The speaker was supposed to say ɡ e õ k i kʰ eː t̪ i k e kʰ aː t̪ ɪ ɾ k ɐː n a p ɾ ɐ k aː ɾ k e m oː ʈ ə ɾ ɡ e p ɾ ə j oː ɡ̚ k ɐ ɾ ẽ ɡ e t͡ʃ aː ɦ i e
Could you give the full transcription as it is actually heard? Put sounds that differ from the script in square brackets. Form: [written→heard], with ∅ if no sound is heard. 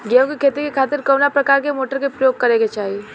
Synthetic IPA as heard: ɡ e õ k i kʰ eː t̪ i k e kʰ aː t̪ ɪ ɾ k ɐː n a p ɾ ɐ k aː ɾ k e m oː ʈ ə ɾ [ɡ→k] e p ɾ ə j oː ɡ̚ k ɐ ɾ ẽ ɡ e t͡ʃ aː ɦ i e